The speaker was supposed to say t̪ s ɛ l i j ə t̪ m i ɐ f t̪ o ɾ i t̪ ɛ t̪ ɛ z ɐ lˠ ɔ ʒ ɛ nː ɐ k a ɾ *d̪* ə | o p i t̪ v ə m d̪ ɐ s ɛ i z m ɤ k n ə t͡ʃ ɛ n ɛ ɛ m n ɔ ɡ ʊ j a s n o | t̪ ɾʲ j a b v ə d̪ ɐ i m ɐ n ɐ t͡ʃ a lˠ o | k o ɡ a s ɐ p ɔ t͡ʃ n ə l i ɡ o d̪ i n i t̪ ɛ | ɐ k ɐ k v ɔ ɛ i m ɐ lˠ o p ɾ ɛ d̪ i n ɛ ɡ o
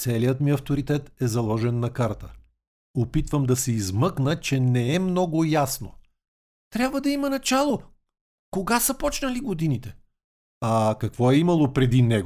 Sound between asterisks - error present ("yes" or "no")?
yes